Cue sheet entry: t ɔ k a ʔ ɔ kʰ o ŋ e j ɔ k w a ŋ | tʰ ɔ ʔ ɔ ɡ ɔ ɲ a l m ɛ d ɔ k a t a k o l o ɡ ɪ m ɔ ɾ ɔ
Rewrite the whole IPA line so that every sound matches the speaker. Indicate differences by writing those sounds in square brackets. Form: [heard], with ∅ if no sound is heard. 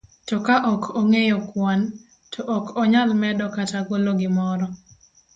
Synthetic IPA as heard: t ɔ k a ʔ ɔ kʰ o ŋ e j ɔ k w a [n] | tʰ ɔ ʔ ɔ [k] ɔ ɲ a l m ɛ d ɔ k a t a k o l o ɡ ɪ m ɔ ɾ ɔ